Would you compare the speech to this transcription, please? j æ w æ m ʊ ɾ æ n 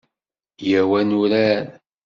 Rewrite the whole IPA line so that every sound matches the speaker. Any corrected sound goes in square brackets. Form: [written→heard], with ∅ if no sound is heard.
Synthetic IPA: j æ w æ [m→n] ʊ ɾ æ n